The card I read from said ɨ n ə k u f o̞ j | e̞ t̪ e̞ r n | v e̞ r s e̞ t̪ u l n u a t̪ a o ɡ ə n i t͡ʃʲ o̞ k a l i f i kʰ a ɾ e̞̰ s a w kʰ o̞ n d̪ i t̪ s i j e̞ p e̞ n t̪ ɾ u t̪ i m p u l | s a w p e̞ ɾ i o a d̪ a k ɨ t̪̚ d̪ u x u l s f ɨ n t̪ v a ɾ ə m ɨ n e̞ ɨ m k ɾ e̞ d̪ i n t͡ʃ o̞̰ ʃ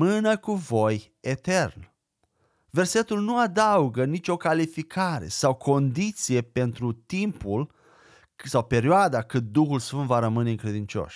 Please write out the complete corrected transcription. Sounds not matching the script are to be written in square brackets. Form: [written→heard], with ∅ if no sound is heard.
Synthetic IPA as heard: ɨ n ə k u [f→v] o̞ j | e̞ t̪ e̞ r n | v e̞ r s e̞ t̪ u l n u a [t̪→d̪] a [o→u] ɡ ə n i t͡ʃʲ o̞ k a l i f i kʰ a ɾ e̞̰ s a w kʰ o̞ n d̪ i t̪ s i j e̞ p e̞ n t̪ ɾ u t̪ i m p u l | s a w p e̞ ɾ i o a d̪ a k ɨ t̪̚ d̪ u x u l s f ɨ n t̪ v a ɾ ə m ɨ n e̞ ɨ [m→ŋ] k ɾ e̞ d̪ i n t͡ʃ o̞̰ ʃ